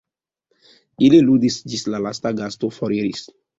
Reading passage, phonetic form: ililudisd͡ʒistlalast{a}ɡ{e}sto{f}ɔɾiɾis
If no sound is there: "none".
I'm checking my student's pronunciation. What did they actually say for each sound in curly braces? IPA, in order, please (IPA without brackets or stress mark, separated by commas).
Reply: a, a, f